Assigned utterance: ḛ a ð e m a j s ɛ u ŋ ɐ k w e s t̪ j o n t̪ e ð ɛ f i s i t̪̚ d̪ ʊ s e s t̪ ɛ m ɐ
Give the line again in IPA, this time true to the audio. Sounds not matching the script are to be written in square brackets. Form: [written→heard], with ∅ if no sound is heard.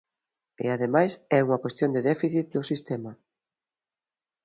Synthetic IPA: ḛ a ð e m a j s ɛ u ŋ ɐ k w e s t̪ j o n [t̪→d̪] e ð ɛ f i [s→θ] i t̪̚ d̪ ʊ s [e→i] s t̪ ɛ m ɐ